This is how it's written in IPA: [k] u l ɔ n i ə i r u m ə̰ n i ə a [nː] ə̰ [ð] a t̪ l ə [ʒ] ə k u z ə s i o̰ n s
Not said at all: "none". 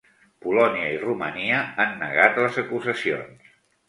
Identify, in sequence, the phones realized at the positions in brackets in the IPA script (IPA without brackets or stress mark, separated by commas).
p, nː, ɣ, z